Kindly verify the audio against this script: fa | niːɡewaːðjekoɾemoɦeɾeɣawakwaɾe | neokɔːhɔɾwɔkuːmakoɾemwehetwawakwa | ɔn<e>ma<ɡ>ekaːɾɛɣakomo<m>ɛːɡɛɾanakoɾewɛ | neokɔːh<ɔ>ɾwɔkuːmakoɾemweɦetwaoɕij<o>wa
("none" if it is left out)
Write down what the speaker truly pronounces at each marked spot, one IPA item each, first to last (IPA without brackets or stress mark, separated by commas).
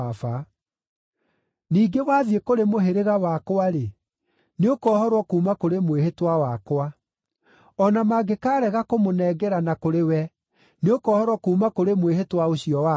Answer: a, ɡ, n, ɔ, ɔ